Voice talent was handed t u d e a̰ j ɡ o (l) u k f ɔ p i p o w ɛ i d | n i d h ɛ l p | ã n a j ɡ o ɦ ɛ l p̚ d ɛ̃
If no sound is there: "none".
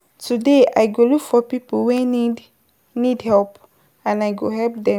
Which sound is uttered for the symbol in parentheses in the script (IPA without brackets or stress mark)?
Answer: l